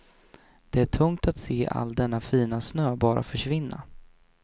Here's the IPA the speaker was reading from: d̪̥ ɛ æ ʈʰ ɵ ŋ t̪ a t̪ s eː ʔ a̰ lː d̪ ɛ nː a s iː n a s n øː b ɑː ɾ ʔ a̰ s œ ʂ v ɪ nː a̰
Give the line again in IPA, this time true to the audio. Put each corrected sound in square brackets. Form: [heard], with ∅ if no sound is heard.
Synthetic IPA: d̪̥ ɛ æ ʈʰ ɵ ŋ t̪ a t̪ s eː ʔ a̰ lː d̪ ɛ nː a [f] iː n a s n øː b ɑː ɾ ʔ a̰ [f] œ ʂ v ɪ nː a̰